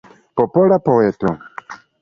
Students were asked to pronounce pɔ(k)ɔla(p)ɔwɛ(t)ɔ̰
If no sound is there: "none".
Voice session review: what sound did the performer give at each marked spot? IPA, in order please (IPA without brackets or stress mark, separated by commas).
p, p, t